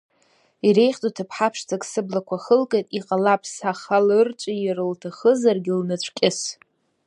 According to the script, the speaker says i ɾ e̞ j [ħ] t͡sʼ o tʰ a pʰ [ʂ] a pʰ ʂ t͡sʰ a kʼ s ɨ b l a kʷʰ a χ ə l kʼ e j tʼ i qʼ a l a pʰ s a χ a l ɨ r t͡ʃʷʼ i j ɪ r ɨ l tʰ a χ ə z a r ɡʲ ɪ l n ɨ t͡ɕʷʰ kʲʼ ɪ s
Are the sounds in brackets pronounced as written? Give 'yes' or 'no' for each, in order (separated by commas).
no, no